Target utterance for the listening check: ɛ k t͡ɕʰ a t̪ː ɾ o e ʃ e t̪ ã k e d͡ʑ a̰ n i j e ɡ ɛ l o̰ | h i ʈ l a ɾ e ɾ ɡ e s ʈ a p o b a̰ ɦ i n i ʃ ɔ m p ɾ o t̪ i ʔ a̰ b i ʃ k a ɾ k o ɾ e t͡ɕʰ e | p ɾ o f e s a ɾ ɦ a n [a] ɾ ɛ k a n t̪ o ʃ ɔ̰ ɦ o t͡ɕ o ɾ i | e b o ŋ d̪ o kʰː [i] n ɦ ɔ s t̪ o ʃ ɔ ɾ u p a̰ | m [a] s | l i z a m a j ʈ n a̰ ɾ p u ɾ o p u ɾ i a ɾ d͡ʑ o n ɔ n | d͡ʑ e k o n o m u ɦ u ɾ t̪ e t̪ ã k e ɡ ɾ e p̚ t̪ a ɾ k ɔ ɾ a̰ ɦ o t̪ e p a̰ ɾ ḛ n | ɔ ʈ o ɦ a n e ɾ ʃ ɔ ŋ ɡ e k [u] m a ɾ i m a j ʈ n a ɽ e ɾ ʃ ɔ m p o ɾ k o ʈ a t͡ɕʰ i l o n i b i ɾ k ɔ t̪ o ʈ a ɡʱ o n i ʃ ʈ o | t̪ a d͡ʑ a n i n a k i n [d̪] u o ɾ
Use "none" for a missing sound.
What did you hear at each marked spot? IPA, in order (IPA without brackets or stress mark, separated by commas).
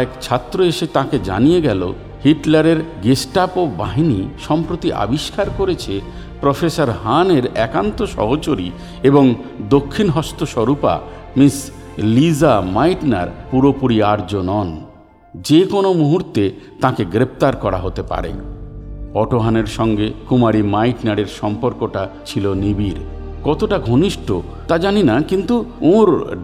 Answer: e, i, i, u, t̪